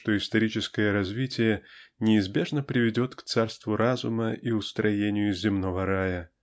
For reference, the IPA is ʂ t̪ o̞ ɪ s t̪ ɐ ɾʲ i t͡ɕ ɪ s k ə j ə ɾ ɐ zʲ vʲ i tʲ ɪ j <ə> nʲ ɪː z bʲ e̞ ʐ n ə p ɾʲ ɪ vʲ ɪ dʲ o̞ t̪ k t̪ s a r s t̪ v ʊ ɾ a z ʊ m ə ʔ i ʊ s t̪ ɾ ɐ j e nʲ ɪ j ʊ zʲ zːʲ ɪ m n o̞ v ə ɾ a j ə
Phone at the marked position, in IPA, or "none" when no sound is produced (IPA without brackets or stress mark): ə